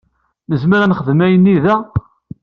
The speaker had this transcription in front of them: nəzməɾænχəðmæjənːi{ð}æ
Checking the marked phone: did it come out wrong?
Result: no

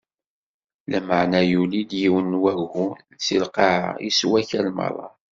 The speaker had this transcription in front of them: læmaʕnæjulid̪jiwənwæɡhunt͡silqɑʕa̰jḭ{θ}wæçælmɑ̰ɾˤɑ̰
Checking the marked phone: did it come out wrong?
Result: yes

